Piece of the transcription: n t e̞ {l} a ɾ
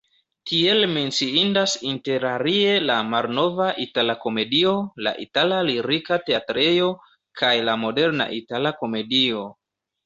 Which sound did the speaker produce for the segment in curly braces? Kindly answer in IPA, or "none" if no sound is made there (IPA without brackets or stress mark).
ɾ